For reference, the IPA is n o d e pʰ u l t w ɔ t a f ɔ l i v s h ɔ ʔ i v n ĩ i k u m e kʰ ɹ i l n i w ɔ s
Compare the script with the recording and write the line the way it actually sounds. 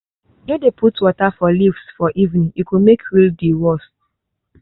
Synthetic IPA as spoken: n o d e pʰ u t w ɔ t a f ɔ l i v s f ɔ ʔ i v n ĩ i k u m e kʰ ɹ i l d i w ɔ s